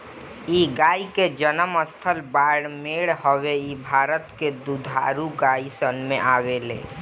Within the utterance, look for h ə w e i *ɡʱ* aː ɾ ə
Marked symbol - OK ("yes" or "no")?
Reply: no